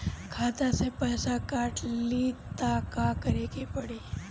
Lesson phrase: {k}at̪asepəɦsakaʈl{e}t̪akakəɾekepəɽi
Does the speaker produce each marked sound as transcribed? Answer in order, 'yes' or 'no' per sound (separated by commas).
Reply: no, no